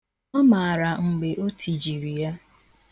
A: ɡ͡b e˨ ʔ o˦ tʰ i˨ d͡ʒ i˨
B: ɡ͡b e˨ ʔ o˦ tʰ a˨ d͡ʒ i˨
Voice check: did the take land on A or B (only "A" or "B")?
A